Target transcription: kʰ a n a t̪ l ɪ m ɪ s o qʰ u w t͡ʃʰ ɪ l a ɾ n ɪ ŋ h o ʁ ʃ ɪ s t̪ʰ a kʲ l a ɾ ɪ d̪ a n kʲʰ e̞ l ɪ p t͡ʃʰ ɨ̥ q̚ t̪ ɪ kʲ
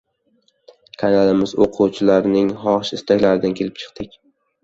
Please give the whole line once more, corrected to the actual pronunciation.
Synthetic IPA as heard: kʰ a n a l ɪ m ɪ z o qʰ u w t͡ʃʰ ɪ l a ɾ n ɪ ŋ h ɒ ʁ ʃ ɪ s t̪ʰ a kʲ l a ɾ ɪ d̪ a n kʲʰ e̞ l ɪ p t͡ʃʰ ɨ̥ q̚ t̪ ɪ kʲ